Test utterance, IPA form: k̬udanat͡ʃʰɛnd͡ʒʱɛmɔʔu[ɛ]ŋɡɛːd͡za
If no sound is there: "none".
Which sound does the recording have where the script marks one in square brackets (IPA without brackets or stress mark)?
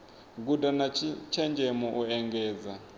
ɛ